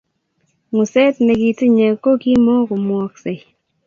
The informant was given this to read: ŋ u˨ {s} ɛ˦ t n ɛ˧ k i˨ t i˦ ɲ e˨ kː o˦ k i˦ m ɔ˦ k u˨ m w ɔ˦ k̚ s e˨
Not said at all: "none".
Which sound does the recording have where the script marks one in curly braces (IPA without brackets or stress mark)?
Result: s